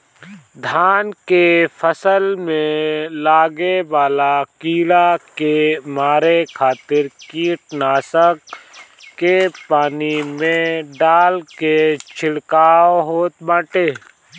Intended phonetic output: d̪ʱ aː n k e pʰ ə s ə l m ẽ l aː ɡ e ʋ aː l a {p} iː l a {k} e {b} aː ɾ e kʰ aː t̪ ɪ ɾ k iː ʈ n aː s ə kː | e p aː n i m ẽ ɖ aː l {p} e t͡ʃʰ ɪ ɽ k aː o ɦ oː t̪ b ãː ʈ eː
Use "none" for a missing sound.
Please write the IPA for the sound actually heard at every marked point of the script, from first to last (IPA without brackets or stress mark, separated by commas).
k, k, m, k